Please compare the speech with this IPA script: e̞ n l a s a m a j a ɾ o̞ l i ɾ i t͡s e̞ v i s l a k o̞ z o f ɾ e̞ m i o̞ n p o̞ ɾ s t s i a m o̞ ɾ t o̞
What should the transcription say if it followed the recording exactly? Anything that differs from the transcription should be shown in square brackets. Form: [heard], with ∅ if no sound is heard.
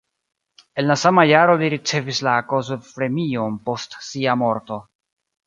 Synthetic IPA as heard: e̞ n l a s a m a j a ɾ o̞ l i ɾ i t͡s e̞ v i s l a k o̞ z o f ɾ e̞ m i o̞ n p o̞ [∅] s t s i a m o̞ ɾ t o̞